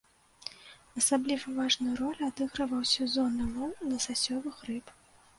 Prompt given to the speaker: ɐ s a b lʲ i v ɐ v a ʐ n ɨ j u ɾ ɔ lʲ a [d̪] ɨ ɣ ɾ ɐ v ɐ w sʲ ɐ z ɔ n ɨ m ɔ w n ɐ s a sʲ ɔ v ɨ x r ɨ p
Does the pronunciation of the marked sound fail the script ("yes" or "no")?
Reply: no